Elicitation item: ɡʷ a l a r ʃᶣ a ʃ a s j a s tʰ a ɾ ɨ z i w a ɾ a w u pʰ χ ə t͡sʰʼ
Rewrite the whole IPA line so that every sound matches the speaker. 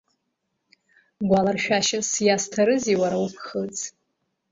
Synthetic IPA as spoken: ɡʷ a l a r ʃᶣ a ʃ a s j a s tʰ a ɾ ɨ z i w a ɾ a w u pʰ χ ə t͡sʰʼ

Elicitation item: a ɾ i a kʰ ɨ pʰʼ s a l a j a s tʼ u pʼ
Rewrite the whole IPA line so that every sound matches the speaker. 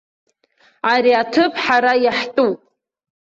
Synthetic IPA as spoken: a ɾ i a tʰ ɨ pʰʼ ħ a ɾ a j a ħ tʼ u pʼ

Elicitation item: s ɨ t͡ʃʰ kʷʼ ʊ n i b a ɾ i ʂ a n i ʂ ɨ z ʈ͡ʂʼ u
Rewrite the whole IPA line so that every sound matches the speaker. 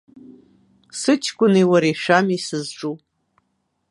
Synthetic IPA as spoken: s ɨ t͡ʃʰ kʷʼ ʊ n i w a ɾ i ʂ a m i s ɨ z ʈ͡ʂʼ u

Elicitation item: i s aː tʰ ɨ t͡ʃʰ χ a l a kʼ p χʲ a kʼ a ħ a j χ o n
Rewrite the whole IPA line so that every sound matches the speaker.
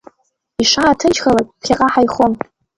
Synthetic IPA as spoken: i ʂ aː tʰ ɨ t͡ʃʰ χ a l a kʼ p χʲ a qʼ a ħ a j χ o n

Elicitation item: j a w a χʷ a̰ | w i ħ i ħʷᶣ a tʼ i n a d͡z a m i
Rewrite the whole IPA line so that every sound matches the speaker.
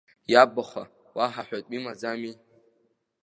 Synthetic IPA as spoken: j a b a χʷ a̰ | w a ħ a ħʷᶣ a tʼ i m a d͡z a m i

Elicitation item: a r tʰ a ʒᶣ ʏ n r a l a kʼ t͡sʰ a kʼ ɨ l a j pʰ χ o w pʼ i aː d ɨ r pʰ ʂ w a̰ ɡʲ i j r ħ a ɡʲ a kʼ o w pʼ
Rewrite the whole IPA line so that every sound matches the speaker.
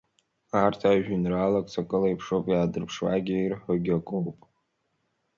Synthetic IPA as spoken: a r tʰ a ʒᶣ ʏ n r a l a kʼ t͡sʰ a kʼ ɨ l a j pʰ ʂ o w pʼ j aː d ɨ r pʰ ʂ w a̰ ɡʲ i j r ħ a ɡʲ a kʼ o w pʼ

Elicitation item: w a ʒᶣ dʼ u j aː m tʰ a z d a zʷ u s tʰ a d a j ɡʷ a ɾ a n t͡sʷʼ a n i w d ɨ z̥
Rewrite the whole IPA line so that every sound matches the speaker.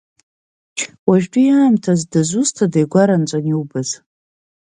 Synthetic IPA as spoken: w a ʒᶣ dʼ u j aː m tʰ a z d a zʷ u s tʰ a d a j ɡʷ a ɾ a n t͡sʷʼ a n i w b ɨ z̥

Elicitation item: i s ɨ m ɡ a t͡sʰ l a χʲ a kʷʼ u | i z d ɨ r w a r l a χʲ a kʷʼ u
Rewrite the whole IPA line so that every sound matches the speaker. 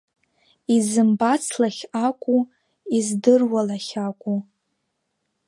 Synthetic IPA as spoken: i z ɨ m b a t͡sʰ l a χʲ a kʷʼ u | i z d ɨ r w a l a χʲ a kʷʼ u

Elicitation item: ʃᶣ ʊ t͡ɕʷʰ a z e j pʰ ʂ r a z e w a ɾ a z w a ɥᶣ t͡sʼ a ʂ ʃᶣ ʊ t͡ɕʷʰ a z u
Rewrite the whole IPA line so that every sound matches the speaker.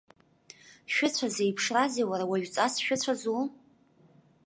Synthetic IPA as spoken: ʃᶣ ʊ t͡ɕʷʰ a z e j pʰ ʂ r a z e w a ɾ a w a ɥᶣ t͡sʼ a s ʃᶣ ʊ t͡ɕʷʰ a z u

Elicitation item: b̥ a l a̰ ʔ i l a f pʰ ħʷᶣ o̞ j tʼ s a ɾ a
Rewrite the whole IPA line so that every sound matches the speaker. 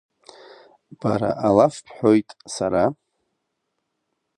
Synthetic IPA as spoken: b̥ a ɾ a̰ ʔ a l a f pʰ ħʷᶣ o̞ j tʼ s a ɾ a

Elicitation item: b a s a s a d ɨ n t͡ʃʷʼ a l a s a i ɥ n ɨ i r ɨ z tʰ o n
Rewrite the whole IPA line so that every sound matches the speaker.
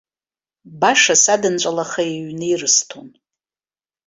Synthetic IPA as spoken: b a ʂ a s a d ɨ n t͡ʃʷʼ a l a χ a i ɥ n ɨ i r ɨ s tʰ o n

